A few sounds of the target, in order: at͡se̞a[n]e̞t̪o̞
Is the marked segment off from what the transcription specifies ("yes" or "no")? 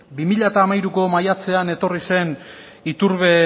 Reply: no